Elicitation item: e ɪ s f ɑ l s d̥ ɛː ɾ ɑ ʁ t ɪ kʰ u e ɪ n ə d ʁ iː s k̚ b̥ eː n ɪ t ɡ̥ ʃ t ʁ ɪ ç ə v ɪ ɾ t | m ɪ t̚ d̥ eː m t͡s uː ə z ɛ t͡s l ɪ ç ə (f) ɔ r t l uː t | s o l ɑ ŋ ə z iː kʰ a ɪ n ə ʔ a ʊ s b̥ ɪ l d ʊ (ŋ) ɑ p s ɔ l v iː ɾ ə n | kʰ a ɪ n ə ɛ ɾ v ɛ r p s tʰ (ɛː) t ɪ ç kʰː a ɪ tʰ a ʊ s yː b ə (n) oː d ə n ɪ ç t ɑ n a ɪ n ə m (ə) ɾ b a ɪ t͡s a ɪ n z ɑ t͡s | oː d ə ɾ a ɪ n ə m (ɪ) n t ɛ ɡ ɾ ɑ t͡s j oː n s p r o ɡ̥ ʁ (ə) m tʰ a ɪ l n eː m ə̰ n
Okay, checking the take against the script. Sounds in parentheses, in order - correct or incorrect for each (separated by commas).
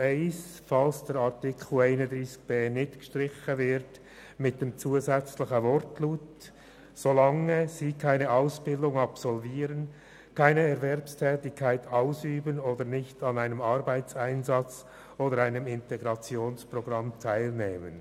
incorrect, correct, correct, correct, incorrect, correct, incorrect